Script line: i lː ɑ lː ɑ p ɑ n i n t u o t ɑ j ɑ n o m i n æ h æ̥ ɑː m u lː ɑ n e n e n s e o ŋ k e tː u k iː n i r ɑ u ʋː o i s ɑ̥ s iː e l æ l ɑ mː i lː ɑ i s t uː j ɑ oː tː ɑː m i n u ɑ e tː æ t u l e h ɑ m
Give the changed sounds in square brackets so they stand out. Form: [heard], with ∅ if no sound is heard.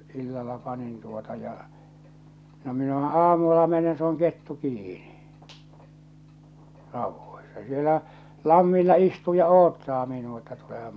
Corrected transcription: i lː ɑ lː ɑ p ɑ n i n t u o t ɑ j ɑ n o m i n æ h æ̥ ɑː m u lː ɑ [m] e n e n s e o ŋ k e tː u k iː n i r ɑ u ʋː o i s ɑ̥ s [i] e l æ l ɑ mː i lː ɑ i s t uː j ɑ oː tː ɑː m i n u ɑ e tː æ t u l e h ɑ m